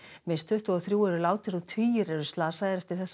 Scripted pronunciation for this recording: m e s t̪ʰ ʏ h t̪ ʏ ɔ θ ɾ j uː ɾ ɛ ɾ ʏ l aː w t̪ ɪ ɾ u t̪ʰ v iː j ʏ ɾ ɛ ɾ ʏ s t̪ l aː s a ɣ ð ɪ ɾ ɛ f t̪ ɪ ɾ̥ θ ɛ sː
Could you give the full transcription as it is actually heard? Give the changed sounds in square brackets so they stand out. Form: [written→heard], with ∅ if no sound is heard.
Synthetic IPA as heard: m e s t̪ʰ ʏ h t̪ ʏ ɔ θ ɾ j uː [ɾ→∅] ɛ ɾ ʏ l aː w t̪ ɪ ɾ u t̪ʰ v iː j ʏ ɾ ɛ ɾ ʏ s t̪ l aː s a ɣ ð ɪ ɾ ɛ f t̪ ɪ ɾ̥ θ ɛ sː